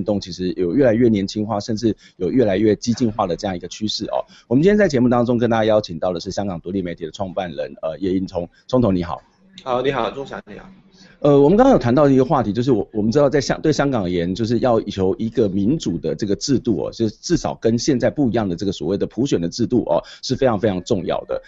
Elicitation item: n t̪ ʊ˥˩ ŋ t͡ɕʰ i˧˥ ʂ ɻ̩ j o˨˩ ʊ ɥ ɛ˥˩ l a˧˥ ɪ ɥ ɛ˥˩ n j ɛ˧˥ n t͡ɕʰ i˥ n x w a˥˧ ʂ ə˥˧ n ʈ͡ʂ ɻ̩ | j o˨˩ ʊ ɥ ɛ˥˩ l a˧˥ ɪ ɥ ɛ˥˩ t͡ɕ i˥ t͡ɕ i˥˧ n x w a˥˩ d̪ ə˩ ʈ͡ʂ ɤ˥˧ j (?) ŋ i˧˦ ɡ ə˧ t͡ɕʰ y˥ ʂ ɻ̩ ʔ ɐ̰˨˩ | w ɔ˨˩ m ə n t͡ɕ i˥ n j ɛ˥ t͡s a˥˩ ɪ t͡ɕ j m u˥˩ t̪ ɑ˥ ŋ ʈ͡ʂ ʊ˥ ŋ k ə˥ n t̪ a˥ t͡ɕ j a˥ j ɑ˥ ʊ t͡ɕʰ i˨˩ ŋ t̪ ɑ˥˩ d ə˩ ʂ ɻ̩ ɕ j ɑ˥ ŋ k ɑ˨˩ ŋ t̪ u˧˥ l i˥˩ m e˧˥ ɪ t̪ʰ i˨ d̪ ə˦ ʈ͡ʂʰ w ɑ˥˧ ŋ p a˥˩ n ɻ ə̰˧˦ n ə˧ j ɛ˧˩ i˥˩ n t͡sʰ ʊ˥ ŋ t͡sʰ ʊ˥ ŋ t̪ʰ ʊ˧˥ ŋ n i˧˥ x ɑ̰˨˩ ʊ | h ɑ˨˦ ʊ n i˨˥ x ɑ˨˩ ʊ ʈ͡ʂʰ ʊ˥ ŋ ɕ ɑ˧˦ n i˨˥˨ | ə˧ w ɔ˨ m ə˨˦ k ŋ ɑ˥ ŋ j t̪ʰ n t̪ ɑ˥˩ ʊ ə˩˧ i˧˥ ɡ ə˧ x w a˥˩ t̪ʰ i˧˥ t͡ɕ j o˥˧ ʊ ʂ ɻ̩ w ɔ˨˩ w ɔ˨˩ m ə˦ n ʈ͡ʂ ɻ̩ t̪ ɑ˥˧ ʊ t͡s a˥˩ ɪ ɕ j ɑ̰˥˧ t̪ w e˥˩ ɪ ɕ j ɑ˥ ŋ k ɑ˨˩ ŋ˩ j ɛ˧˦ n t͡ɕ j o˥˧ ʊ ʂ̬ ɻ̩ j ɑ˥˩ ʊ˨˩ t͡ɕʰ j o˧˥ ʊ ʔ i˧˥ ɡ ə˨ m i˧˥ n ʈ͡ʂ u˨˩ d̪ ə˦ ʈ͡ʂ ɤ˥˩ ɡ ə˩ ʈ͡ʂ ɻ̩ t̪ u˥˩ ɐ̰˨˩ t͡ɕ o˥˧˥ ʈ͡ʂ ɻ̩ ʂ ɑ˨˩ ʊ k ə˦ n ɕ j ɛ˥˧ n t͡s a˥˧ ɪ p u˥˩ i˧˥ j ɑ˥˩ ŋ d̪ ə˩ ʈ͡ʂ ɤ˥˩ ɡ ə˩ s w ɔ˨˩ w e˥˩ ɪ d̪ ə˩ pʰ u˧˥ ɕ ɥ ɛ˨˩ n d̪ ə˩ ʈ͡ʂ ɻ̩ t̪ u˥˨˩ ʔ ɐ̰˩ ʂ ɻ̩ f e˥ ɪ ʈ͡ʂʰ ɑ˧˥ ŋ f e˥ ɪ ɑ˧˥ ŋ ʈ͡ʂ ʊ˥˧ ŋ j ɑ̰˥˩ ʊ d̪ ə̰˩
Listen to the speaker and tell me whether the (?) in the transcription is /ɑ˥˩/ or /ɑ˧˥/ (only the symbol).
ɑ˥˩